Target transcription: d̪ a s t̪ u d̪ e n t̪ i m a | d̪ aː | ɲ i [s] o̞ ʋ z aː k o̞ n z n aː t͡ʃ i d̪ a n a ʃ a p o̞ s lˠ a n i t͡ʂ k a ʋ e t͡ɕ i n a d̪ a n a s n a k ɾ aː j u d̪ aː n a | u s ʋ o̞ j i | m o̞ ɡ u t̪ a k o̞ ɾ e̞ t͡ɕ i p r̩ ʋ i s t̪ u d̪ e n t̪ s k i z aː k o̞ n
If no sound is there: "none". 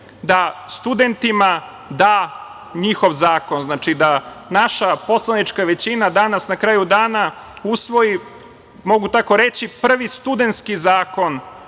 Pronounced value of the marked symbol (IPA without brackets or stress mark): x